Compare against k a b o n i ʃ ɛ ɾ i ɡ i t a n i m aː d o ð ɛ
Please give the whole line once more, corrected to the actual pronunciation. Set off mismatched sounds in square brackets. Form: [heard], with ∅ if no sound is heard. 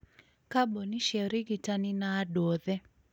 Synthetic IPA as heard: k a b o n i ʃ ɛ ɾ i ɡ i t a n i [n] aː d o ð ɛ